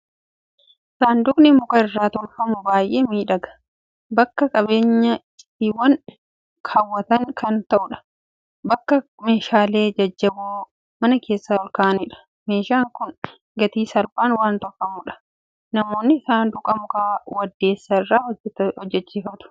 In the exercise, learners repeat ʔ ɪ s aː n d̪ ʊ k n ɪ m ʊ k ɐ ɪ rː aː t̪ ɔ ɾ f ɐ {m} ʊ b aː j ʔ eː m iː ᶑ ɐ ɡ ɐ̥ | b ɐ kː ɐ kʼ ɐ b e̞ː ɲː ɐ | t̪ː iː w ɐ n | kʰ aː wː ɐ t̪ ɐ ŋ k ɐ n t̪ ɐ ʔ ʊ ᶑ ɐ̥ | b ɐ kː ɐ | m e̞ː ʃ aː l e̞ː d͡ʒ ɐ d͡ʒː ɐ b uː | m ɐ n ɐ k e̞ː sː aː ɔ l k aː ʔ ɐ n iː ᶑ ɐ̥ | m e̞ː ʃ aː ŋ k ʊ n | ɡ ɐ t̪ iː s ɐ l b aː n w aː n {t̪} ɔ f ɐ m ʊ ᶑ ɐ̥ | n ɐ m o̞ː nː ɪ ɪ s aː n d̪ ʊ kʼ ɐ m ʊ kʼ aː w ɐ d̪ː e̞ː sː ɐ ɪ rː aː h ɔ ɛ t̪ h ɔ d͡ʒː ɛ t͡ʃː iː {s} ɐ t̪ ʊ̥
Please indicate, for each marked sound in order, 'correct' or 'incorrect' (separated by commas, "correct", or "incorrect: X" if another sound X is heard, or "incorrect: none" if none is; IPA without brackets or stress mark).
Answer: correct, correct, incorrect: f